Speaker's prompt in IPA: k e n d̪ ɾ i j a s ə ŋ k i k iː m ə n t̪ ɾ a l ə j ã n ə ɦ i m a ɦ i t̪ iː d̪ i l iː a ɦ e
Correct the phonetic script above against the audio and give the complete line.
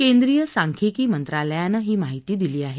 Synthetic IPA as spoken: k e n d̪ ɾ i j ə s a ŋ kʰ i k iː m ə n t̪ ɾ a l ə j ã n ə ɦ iː m a ɦ i t̪ iː d̪ i l iː a ɦ e